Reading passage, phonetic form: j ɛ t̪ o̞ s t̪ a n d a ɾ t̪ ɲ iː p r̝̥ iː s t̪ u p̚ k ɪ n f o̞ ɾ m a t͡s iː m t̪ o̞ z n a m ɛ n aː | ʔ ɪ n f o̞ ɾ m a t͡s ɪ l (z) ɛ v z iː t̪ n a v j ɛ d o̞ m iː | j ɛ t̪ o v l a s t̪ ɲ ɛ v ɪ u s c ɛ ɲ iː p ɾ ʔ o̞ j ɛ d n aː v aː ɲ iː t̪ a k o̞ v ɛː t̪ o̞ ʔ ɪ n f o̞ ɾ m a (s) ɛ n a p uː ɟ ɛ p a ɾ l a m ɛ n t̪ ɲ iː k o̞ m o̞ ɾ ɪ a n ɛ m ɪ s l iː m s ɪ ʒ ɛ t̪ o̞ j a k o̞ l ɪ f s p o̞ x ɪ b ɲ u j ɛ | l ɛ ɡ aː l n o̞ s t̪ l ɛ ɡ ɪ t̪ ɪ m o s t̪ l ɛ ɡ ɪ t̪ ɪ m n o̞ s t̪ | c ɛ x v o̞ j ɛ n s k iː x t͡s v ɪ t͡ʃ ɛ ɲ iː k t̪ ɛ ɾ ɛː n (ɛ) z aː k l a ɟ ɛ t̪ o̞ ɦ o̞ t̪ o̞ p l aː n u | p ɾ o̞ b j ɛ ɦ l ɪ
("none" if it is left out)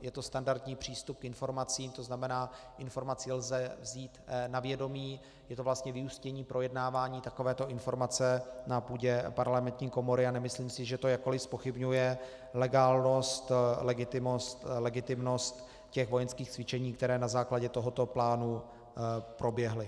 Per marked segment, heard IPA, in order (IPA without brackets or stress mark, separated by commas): z, t͡s, a